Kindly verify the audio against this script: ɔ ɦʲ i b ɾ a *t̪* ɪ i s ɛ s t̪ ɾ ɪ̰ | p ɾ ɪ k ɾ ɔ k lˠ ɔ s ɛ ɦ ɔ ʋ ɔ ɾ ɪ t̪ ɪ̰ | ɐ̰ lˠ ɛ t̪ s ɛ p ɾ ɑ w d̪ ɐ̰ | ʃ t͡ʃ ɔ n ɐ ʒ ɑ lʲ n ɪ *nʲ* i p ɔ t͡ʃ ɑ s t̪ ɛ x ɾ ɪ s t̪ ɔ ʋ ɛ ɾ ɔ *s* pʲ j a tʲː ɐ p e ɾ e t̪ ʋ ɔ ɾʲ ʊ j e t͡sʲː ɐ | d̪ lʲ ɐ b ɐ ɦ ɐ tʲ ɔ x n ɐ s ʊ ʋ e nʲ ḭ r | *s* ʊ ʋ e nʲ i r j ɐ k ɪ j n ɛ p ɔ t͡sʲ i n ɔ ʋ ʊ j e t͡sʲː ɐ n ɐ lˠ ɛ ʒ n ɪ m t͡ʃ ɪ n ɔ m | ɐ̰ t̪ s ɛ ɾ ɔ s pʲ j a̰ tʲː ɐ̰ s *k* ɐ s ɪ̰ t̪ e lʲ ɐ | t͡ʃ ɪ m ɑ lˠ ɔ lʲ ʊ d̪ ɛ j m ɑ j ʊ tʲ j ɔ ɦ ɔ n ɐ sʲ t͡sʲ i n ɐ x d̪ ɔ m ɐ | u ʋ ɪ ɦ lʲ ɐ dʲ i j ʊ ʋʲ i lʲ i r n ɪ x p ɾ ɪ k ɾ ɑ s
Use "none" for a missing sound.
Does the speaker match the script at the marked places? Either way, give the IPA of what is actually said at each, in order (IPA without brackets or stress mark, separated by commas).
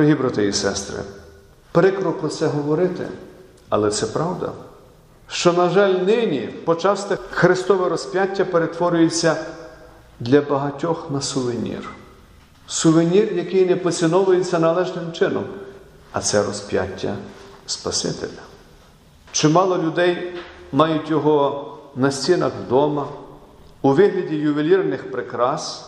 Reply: t̪, nʲ, s, s, p